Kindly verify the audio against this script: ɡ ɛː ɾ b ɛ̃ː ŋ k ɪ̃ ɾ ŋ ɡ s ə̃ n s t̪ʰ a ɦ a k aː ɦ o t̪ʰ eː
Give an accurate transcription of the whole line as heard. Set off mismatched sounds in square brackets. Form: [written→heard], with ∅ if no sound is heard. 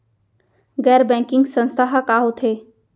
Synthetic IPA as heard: ɡ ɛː ɾ b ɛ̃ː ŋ k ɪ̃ [ɾ→∅] ŋ ɡ s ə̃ n s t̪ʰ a ɦ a k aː ɦ o t̪ʰ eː

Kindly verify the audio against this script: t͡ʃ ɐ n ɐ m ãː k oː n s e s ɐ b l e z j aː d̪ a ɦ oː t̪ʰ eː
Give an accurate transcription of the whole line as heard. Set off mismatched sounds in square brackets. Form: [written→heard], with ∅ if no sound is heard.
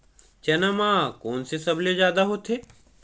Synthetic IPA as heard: t͡ʃ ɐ n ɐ m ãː k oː n s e s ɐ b l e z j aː d̪ a ɦ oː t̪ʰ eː

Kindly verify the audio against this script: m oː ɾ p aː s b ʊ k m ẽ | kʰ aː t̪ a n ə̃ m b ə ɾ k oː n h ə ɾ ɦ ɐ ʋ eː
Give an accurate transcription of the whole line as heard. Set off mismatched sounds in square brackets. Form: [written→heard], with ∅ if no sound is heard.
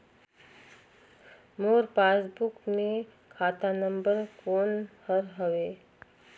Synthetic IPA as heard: m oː ɾ p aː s b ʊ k m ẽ | kʰ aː t̪ a n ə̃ m b ə ɾ k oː n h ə ɾ ɦ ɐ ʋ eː

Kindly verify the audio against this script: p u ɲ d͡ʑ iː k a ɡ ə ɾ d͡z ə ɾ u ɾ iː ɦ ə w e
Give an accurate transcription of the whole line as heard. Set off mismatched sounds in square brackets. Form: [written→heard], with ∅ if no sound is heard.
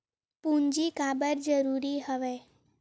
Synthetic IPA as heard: p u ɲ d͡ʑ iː k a [ɡ→b] ə ɾ d͡z ə ɾ u ɾ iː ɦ ə [w→ʋ] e

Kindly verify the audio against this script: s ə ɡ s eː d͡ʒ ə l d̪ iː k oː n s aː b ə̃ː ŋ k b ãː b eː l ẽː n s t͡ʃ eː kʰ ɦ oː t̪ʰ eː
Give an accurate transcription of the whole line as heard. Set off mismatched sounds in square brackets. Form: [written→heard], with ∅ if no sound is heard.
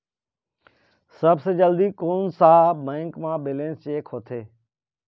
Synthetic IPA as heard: s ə [ɡ→b] s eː d͡ʒ ə l d̪ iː k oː n s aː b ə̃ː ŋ k [b→m] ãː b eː l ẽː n s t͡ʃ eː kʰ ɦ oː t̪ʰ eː

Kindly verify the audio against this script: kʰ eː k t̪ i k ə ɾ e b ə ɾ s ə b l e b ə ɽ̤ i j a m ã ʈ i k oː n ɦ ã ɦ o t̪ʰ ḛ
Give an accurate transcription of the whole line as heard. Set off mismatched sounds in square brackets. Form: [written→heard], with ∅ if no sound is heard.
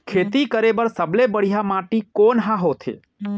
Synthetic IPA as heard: kʰ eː [k→∅] t̪ i k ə ɾ e b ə ɾ s ə b l e b ə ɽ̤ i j a m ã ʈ i k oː n ɦ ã ɦ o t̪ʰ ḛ

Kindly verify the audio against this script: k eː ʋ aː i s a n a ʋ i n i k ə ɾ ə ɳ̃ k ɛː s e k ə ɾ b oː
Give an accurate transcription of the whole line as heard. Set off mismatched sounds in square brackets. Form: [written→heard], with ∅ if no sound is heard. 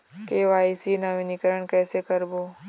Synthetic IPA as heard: k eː ʋ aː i s [a→i] n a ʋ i n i k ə ɾ ə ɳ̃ k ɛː s e k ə ɾ b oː

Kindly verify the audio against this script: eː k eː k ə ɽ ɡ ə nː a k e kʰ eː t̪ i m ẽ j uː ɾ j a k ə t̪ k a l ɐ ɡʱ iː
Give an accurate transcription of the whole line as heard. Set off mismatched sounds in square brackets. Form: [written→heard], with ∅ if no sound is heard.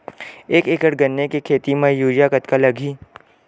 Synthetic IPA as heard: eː k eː k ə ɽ ɡ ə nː [a→e] k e kʰ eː t̪ i m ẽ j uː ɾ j a k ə t̪ k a l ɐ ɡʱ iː

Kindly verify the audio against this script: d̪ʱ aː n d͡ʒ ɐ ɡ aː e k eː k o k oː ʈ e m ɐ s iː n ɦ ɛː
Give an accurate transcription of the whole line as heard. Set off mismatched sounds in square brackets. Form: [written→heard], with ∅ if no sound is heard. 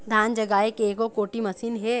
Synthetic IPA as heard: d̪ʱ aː n d͡ʒ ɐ ɡ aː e k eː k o k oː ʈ [e→i] m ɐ s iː n ɦ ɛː

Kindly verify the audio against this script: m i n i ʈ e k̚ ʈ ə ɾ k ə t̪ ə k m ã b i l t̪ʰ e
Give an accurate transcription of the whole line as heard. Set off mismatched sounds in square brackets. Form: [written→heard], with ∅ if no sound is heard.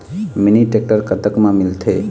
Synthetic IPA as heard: m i n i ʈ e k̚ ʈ ə ɾ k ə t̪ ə k m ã [b→m] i l t̪ʰ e

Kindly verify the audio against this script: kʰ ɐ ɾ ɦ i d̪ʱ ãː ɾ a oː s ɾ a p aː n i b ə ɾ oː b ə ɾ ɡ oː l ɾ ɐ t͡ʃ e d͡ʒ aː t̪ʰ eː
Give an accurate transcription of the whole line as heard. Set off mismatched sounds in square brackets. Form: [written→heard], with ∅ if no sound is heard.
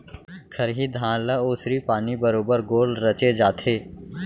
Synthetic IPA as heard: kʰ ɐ ɾ ɦ i d̪ʱ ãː [ɾ→l] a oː s ɾ [a→i] p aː n i b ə ɾ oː b ə ɾ ɡ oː l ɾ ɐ t͡ʃ e d͡ʒ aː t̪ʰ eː

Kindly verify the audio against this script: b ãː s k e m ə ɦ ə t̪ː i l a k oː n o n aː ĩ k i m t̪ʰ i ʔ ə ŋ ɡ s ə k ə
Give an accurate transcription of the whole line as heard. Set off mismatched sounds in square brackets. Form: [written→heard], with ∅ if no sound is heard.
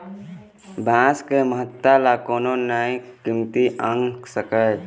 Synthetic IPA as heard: b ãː s k e m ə ɦ ə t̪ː [i→a] l a k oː n o n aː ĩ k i m [t̪ʰ→t̪] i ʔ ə ŋ ɡ s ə k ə

